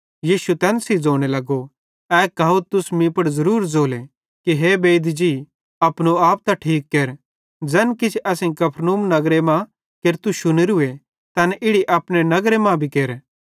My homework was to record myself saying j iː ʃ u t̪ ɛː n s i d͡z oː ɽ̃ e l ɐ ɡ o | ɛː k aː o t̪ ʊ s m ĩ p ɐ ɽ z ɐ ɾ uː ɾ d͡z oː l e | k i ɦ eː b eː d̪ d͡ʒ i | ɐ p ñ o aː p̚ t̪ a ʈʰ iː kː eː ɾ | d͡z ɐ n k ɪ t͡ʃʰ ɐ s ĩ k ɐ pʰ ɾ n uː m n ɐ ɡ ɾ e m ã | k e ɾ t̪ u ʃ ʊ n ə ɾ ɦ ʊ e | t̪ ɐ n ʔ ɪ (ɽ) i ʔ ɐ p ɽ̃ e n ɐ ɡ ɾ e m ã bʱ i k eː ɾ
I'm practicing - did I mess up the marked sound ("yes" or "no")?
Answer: no